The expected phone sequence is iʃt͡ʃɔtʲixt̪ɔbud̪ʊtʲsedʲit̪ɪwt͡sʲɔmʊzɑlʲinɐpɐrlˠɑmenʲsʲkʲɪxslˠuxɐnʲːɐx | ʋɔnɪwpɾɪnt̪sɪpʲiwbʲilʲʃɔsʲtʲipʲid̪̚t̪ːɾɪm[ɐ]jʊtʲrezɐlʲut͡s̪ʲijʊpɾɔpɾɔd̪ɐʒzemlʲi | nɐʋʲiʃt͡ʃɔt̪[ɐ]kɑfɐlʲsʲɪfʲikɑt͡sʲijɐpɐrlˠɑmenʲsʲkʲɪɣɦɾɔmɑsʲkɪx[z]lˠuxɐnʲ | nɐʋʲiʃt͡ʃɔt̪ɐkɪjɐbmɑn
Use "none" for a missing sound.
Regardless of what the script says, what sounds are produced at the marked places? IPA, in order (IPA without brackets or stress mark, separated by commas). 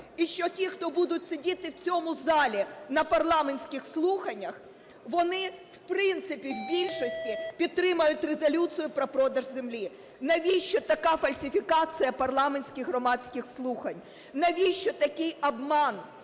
ɐ, ɐ, s